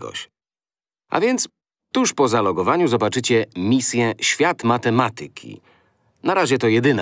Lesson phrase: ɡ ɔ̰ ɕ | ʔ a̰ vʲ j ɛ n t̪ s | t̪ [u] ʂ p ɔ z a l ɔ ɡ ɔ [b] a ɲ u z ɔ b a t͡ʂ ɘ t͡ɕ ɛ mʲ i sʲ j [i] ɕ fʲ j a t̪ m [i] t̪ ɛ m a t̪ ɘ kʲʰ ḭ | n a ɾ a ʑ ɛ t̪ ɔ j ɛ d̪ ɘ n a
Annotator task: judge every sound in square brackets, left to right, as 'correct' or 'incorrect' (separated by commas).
correct, incorrect, incorrect, incorrect